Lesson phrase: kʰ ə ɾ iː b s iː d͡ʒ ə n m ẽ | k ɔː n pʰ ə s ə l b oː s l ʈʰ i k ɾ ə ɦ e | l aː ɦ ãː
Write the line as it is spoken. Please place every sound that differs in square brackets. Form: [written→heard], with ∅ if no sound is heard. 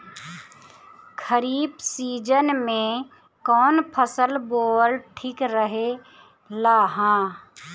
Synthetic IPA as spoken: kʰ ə ɾ iː b s iː d͡ʒ ə n m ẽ | k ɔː n pʰ ə s ə l b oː [s→∅] l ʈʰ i k ɾ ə ɦ e | l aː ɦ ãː